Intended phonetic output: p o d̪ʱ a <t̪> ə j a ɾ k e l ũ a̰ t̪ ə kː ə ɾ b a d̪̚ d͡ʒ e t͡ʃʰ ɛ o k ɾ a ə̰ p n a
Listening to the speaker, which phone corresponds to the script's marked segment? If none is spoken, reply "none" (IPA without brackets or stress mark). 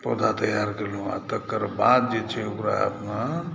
t̪